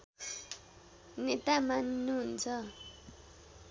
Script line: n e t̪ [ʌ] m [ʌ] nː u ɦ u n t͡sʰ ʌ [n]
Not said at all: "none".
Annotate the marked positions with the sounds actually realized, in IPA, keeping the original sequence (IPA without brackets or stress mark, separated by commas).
a, a, none